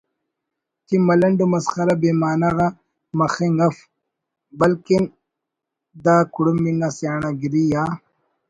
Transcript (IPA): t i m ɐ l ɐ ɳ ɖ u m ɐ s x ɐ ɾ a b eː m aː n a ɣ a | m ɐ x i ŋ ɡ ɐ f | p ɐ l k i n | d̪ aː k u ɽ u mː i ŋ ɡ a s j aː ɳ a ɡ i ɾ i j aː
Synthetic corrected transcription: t i m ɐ l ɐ ɳ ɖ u m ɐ s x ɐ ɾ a b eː m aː n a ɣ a | m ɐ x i ŋ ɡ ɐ f | b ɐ l k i n | d̪ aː k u ɽ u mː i ŋ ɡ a s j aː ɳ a ɡ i ɾ i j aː